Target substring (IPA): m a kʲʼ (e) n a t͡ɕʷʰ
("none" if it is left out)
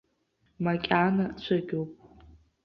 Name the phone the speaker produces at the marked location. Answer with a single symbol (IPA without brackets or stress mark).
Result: a